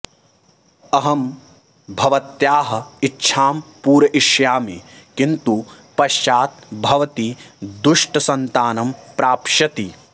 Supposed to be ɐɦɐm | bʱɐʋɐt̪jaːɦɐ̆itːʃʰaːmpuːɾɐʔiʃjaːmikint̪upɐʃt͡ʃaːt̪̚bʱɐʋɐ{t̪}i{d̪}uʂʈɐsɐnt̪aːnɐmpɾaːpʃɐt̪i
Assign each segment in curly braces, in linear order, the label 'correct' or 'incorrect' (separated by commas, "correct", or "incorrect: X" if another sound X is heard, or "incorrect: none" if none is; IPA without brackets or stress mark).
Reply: correct, correct